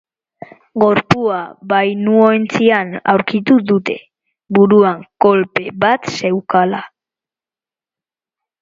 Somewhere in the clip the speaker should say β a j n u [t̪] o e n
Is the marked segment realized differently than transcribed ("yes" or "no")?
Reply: yes